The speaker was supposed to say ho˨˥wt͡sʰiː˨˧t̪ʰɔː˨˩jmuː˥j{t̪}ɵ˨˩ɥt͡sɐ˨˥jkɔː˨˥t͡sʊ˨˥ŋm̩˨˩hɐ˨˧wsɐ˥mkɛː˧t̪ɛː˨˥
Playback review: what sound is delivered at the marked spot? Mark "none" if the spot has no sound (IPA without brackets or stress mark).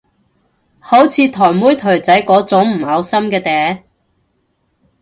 t̪ʰ